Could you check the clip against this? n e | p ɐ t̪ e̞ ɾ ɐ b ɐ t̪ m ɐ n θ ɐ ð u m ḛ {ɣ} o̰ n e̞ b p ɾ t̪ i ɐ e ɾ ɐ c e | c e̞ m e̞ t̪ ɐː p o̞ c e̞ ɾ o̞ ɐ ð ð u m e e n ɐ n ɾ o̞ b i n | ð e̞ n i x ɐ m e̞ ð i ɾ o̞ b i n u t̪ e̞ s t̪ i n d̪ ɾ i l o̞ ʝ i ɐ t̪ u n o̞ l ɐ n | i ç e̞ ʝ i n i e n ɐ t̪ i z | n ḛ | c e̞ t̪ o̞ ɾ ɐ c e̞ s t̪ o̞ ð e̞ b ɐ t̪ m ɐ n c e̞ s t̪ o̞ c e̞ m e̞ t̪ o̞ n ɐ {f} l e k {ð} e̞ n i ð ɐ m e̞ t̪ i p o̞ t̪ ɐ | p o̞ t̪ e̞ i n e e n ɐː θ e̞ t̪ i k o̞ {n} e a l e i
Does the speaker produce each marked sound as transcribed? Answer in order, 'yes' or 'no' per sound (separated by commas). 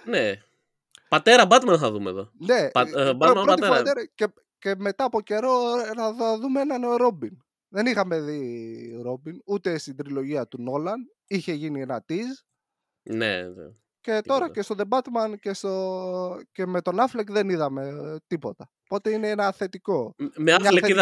no, yes, yes, no